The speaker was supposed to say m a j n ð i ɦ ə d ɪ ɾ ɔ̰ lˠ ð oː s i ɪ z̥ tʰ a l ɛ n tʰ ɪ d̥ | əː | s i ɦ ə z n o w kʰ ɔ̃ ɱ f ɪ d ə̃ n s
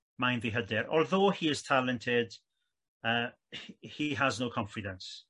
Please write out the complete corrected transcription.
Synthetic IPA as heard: m a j n ð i ɦ ə d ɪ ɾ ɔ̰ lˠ ð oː h i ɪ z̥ tʰ a l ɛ n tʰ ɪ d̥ | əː | h i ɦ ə z n o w kʰ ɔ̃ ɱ f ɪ d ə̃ n s

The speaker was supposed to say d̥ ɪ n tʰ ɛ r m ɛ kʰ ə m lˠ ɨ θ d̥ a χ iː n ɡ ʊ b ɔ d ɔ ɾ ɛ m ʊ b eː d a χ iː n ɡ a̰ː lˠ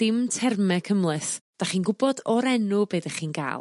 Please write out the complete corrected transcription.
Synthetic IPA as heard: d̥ ɪ m tʰ ɛ r m ɛ kʰ ə m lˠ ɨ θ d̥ a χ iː n ɡ ʊ b ɔ d ɔ ɾ ɛ n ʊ b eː d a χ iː n ɡ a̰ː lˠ

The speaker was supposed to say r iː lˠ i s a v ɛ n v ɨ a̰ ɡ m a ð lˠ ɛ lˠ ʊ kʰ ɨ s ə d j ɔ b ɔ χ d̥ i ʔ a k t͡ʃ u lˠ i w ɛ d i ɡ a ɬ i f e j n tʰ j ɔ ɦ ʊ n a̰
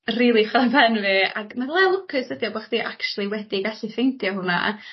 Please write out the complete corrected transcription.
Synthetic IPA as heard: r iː lˠ i χ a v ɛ n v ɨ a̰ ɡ m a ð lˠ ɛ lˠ ʊ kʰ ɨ s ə d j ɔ b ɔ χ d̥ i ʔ a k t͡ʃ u lˠ i w ɛ d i ɡ a ɬ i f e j n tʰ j ɔ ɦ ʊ n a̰

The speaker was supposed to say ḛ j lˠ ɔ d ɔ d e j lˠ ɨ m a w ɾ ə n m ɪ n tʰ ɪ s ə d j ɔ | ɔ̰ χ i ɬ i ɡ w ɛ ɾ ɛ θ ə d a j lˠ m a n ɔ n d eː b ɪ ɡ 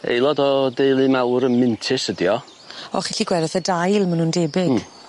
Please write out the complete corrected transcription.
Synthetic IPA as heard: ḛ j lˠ ɔ d ɔ d e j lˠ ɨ m a w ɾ ə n m ɪ n tʰ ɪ s ə d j ɔ | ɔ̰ χ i ɬ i ɡ w ɛ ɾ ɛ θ ə d a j lˠ m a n u n d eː b ɪ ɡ

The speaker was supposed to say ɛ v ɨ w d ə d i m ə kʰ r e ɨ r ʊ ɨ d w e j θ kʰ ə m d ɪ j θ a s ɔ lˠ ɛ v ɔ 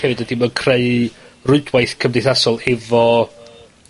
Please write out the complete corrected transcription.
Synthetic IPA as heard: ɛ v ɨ d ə d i m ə kʰ r e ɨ r ʊ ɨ d w a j θ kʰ ə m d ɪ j θ a s ɔ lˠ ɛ v ɔ

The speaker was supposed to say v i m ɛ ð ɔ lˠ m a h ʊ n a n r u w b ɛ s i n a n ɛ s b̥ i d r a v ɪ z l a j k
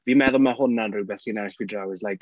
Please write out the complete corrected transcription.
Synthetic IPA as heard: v i m ɛ ð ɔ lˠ m a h ʊ n a n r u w b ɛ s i n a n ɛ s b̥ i d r a w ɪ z l a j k

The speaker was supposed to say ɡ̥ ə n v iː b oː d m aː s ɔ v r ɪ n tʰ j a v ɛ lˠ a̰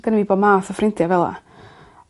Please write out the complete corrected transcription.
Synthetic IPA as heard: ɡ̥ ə n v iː b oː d m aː θ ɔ f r ɪ n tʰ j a v ɛ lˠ a̰

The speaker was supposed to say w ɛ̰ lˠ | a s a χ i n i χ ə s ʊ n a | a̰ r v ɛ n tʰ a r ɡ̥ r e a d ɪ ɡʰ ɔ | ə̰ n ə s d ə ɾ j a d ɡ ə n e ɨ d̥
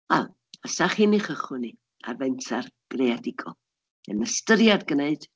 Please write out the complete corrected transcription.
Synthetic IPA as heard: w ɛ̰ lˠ | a s a χ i n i χ ə χ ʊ n i | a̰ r v ɛ n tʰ a r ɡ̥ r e a d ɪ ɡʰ ɔ | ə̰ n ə s t ə ɾ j a d ɡ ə n e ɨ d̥

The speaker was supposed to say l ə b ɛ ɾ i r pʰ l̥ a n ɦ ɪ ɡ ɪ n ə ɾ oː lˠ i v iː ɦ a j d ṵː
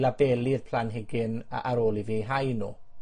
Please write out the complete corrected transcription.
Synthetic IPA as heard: l a b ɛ l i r pʰ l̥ a n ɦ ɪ ɡ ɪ n a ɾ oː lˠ i v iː ɦ a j n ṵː

